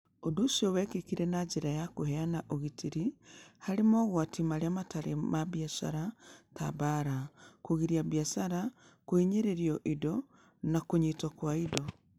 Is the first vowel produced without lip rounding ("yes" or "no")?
no